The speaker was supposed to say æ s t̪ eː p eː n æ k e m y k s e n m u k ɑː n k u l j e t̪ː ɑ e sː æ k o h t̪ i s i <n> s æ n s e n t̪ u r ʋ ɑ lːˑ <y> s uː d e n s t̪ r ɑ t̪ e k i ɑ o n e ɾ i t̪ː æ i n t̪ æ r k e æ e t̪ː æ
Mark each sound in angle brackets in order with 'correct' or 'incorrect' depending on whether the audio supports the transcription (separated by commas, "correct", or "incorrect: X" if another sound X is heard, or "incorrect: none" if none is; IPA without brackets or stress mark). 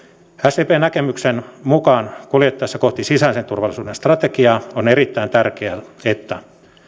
incorrect: none, incorrect: i